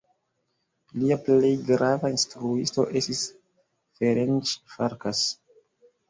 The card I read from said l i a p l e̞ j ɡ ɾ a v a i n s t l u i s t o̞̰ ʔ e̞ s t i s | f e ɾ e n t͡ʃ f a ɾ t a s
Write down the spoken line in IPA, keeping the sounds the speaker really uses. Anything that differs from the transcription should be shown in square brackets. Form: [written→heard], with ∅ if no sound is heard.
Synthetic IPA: l i a p l e̞ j ɡ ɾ a v a i n s t [l→ɾ] u i s t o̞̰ ʔ e̞ s t i s | f e ɾ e n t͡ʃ f a ɾ [t→k] a s